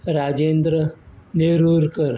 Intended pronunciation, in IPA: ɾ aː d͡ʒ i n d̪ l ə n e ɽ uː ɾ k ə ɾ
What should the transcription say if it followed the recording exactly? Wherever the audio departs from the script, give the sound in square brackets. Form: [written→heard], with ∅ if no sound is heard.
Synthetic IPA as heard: ɾ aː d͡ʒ [i→e] n d̪ [l→ɾ] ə n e [ɽ→ɾ] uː ɾ k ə ɾ